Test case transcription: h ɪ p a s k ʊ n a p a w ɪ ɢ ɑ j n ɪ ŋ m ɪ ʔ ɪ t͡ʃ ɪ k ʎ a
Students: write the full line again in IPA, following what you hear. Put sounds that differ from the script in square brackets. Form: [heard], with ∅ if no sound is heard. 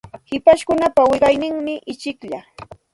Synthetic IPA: h ɪ p a [ʃ] k ʊ n a p a w ɪ ɢ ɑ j n ɪ ŋ m ɪ ʔ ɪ t͡ʃ ɪ k ʎ a